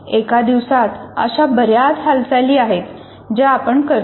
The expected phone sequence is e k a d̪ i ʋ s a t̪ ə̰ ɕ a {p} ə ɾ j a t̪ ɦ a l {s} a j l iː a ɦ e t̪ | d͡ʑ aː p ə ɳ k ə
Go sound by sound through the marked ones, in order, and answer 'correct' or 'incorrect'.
incorrect, correct

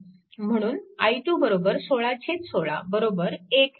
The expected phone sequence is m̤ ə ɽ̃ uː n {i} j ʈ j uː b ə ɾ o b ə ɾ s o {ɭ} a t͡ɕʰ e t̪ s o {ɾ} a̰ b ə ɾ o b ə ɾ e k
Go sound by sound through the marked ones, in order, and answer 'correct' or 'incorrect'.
incorrect, correct, incorrect

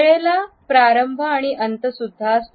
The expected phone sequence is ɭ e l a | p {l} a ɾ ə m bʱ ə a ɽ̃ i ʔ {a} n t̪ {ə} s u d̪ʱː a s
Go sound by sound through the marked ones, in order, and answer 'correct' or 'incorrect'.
incorrect, incorrect, correct

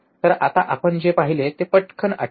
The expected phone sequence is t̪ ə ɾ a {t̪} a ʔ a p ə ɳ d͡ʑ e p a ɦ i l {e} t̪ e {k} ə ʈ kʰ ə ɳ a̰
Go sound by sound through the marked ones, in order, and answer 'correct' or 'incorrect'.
correct, correct, incorrect

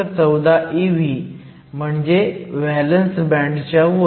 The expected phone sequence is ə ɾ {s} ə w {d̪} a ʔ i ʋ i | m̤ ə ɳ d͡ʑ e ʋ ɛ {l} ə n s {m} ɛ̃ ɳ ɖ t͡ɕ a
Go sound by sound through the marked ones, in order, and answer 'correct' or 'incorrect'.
incorrect, correct, correct, incorrect

